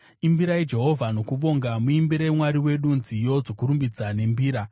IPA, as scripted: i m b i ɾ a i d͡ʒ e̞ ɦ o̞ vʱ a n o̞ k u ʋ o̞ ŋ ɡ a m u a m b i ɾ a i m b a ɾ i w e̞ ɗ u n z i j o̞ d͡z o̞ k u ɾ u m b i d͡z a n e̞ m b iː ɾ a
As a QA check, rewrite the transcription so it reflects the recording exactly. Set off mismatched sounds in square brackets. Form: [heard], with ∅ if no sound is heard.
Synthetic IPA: i m b i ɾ a i d͡ʒ e̞ ɦ o̞ vʱ a n o̞ k u ʋ o̞ ŋ ɡ a m u [i] m b i ɾ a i m [w] a ɾ i w e̞ ɗ u n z i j o̞ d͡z o̞ k u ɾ u m b i d͡z a n e̞ m b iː ɾ a